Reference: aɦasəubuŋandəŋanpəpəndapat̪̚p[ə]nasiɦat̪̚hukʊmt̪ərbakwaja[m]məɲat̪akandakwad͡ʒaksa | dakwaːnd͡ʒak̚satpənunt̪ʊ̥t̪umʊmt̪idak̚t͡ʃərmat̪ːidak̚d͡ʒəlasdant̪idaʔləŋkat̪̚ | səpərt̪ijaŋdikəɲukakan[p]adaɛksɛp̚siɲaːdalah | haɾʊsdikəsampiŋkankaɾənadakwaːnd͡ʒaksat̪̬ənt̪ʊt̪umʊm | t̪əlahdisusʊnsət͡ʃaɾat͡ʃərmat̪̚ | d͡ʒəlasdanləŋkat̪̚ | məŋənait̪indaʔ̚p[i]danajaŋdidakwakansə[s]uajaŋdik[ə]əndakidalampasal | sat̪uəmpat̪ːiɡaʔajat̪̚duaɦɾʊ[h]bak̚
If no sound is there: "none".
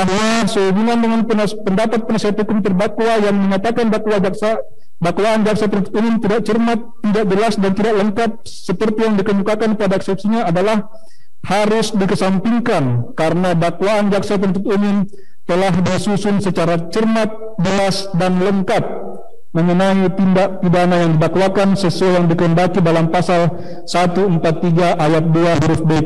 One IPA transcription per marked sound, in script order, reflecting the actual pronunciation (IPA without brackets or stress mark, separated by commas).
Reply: ə, ŋ, p, i, s, ə, f